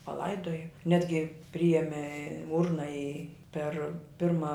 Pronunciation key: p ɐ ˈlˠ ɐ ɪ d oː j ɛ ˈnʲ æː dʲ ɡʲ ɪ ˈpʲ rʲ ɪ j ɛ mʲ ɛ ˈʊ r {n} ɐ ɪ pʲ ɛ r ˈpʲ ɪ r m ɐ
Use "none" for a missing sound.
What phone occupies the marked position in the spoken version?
n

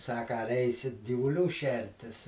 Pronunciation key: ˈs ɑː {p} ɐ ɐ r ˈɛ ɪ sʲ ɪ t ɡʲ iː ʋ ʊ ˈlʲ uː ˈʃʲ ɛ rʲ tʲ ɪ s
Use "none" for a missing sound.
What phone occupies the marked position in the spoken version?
k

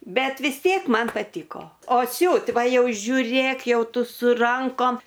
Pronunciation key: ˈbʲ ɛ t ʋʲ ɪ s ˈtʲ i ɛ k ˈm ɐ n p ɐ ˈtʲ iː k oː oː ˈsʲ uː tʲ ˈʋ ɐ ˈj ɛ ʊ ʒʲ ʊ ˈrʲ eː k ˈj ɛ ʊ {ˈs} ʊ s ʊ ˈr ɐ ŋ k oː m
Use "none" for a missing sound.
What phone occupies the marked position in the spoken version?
t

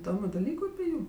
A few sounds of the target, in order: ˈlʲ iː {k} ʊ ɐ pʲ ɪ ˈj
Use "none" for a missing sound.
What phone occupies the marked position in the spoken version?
k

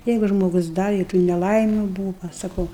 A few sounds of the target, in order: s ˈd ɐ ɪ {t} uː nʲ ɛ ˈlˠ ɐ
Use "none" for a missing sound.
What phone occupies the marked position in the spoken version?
t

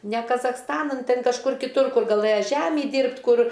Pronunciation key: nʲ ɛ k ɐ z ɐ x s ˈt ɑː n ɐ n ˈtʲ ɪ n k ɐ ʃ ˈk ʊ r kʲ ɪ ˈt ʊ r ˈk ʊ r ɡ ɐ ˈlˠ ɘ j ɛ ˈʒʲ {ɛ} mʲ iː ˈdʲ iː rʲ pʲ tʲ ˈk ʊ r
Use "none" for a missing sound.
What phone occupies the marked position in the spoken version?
æ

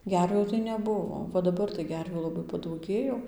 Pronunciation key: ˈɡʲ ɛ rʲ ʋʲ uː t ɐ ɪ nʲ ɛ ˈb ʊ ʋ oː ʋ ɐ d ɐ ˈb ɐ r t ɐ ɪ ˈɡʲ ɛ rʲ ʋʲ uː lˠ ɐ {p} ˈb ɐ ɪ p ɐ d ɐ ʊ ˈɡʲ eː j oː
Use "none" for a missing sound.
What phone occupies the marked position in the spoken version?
none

